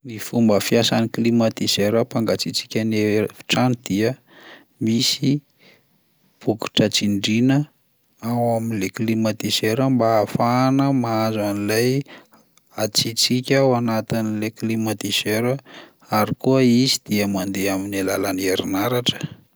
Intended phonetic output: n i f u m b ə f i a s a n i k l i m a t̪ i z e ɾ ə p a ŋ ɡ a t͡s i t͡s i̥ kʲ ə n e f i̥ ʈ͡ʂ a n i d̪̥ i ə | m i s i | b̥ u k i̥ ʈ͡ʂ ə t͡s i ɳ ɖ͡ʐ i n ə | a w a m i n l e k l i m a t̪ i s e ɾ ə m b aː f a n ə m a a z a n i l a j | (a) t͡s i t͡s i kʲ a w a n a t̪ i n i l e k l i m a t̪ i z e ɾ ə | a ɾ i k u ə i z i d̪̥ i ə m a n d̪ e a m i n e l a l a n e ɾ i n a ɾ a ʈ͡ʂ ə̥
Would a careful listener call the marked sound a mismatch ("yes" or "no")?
no